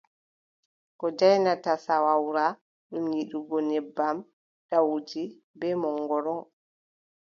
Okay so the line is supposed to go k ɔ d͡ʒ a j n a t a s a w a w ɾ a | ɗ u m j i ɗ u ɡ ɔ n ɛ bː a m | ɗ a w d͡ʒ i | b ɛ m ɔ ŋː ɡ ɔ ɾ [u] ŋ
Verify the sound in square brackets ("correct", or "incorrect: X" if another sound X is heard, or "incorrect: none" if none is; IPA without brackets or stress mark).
incorrect: ɔ